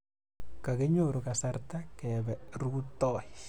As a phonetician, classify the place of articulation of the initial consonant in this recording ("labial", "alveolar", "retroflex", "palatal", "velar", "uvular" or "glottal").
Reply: velar